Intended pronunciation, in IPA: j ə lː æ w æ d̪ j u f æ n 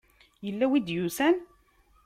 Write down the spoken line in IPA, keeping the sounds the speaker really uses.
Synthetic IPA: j ə lː æ w i d̪ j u s æ n